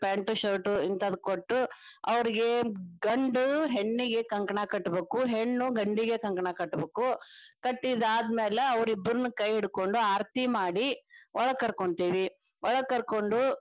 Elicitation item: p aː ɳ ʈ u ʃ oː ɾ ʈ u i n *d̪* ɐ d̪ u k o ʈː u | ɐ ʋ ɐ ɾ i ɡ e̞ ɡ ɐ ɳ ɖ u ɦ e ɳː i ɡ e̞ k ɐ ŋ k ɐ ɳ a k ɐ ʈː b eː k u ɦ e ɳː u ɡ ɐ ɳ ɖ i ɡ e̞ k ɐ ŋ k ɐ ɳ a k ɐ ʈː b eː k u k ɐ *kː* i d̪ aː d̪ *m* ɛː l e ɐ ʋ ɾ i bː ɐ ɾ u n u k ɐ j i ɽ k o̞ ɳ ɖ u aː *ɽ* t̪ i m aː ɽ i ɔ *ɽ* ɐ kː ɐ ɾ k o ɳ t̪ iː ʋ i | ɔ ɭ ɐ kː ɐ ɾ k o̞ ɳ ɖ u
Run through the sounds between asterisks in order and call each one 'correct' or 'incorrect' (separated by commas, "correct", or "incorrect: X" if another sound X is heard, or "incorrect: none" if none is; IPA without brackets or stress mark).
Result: incorrect: t̪, incorrect: ʈː, correct, incorrect: ɾ, incorrect: ɭ